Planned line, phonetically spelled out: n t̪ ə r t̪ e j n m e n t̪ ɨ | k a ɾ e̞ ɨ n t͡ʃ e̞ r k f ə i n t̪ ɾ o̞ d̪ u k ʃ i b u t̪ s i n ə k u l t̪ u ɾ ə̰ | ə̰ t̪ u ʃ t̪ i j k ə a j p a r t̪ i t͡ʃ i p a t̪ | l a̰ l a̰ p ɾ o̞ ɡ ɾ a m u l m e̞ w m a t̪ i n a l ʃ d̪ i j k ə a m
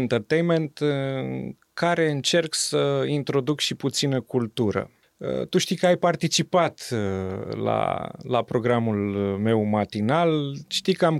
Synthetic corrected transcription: n t̪ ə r t̪ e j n m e n t̪ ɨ | k a ɾ e̞ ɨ n t͡ʃ e̞ r k s ə i n t̪ ɾ o̞ d̪ u k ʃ i p u t̪ s i n ə k u l t̪ u ɾ ə̰ | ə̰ t̪ u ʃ t̪ i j k ə a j p a r t̪ i t͡ʃ i p a t̪ | l a̰ l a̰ p ɾ o̞ ɡ ɾ a m u l m e̞ w m a t̪ i n a l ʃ t̪ i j k ə a m